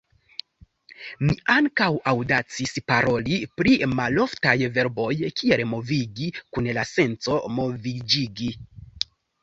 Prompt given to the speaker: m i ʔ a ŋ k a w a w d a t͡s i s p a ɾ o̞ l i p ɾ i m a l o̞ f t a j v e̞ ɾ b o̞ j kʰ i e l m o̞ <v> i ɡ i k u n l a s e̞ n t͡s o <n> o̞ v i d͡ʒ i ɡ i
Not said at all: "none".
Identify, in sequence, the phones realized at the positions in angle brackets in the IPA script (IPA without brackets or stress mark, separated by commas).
v, m